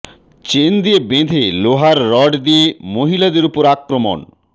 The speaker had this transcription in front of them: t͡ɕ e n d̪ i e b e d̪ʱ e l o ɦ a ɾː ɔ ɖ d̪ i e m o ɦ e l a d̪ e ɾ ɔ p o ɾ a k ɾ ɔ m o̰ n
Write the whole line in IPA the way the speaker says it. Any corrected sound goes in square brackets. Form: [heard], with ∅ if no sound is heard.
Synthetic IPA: t͡ɕ e n d̪ i e b e d̪ʱ e l o ɦ a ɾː ɔ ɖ d̪ i e m o ɦ [i] l a d̪ e ɾ [u] p o ɾ a k ɾ [o] m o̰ n